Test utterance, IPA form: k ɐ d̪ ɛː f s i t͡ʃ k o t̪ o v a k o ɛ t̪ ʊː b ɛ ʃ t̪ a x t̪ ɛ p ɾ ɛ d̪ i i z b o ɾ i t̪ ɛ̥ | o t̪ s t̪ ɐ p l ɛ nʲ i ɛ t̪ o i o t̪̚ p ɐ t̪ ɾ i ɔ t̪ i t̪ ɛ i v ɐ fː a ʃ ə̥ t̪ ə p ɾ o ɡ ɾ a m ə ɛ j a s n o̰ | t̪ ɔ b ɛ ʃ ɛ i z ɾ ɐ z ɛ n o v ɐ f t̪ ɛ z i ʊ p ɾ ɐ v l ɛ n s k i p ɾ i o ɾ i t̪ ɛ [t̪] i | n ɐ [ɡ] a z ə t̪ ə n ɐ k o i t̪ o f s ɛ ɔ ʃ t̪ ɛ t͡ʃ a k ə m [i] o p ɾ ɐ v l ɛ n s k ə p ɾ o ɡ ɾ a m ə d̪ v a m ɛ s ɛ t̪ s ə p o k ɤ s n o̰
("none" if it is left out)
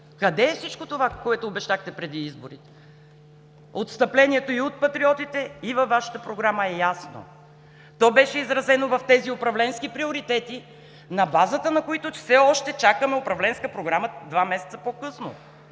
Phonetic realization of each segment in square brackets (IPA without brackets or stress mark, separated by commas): t̪, b, ɛ